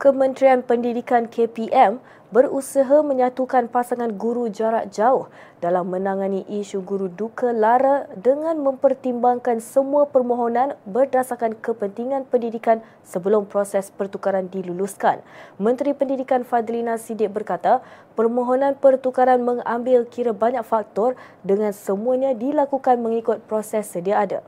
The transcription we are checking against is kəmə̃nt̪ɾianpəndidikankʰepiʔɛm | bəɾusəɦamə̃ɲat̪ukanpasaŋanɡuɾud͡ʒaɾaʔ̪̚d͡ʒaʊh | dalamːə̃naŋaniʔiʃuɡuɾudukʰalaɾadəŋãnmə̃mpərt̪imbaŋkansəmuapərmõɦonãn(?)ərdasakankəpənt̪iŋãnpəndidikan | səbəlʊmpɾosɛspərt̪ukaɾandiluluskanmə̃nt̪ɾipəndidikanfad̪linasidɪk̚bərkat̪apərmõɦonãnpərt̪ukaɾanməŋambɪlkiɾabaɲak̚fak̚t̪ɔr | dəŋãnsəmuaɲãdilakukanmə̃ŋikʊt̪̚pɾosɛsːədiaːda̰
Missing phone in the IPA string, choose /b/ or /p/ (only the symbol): b